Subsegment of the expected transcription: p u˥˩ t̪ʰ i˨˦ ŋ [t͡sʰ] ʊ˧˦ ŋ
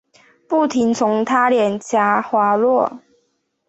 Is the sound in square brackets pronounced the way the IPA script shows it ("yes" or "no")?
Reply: yes